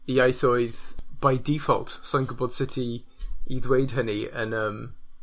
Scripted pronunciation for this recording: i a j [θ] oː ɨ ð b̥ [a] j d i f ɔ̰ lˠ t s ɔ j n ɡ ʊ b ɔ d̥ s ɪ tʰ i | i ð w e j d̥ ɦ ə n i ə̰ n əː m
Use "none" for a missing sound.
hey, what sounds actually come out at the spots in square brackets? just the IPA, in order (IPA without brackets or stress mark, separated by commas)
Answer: θ, a